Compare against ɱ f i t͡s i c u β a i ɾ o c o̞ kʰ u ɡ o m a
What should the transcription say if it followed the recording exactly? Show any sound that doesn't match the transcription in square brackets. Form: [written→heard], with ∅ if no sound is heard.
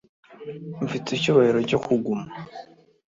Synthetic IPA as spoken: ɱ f i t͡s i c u β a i ɾ o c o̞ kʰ u ɡ [o→u] m a

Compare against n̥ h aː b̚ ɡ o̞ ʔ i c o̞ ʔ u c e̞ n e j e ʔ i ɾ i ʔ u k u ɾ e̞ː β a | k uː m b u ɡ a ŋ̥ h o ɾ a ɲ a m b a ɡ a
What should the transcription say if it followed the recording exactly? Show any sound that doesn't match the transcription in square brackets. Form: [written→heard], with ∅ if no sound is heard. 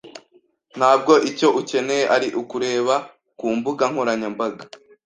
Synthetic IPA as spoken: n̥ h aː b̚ ɡ o̞ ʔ i c o̞ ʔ u c e̞ n e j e ʔ [i→a] ɾ i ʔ u k u ɾ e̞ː β a | k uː m b u ɡ a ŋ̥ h o ɾ a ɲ a m b a ɡ a

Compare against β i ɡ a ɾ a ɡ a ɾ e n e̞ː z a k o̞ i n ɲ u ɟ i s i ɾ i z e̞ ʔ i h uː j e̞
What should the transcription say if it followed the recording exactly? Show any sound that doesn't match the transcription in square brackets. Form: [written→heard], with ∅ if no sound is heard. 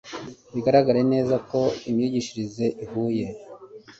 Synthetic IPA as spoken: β i ɡ a ɾ a ɡ a ɾ e n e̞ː z a k o̞ i [n→m] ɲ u ɟ i [s→ʃ] i ɾ i z e̞ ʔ i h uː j e̞

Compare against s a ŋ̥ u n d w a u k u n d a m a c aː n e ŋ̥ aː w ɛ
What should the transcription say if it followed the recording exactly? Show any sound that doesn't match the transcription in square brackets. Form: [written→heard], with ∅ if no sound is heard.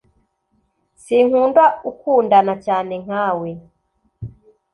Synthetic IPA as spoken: s [a→i] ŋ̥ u n d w a u k u n d a [m→n] a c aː n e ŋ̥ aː w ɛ

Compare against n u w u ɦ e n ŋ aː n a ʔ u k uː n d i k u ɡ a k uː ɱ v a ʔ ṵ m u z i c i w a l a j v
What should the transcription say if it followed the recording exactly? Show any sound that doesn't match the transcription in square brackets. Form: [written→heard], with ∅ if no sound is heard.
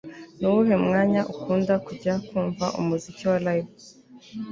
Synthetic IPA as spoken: n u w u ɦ e [n→m] ŋ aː [n→ɲ] a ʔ u k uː n d [i→a] k u [ɡ→ɟ] a k uː ɱ v a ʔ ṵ m u z i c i w a l a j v

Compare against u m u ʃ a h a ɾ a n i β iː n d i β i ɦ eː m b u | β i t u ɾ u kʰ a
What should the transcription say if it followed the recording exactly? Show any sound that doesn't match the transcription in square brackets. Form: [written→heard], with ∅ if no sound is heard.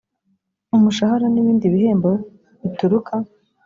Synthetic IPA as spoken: u m u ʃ a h a ɾ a n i β iː n d i β i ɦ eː m b [u→o] | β i t u ɾ u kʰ a

